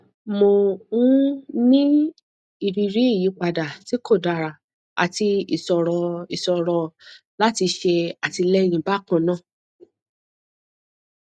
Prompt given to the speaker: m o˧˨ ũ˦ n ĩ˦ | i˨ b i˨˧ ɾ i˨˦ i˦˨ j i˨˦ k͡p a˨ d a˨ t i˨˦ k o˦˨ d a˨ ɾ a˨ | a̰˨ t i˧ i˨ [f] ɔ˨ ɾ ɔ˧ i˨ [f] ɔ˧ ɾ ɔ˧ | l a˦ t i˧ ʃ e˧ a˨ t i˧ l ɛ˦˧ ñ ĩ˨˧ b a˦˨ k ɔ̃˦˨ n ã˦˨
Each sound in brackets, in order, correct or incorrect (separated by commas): incorrect, incorrect